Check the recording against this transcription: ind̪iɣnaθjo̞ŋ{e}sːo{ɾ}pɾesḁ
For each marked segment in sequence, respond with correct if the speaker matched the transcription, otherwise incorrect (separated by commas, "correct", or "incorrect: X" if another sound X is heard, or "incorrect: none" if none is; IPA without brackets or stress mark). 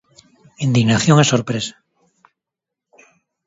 correct, correct